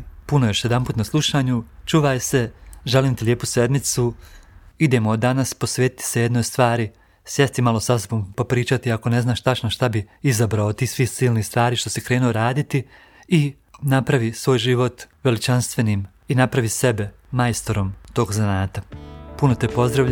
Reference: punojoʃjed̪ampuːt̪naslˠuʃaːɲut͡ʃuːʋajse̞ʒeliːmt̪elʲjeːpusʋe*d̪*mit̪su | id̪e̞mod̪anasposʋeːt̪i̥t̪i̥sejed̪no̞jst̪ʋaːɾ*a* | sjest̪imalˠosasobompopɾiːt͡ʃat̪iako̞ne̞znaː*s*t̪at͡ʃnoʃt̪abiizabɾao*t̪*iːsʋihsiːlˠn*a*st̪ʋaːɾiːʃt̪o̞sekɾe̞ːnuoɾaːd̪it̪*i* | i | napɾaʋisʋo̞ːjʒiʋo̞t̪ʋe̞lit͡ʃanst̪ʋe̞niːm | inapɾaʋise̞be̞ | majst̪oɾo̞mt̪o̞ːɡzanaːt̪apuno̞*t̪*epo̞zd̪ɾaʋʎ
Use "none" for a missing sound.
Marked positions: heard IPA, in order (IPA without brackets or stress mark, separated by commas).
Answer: d̪, i, ʃ, t̪, i, i, t̪